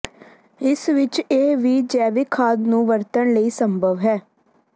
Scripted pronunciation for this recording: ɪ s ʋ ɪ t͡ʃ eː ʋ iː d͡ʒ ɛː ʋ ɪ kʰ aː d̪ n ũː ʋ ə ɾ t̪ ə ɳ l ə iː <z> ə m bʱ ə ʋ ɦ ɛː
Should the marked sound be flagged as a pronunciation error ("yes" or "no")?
yes